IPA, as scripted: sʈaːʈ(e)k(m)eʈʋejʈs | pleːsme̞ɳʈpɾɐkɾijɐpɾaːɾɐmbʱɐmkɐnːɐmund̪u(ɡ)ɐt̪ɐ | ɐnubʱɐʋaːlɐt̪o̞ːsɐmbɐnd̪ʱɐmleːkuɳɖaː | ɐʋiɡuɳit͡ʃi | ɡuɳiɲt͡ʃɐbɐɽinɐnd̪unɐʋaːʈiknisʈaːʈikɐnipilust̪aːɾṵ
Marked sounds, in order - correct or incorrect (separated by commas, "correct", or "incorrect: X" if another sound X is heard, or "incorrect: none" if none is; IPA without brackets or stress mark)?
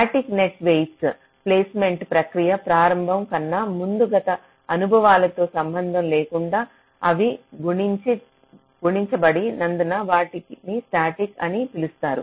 incorrect: i, incorrect: n, correct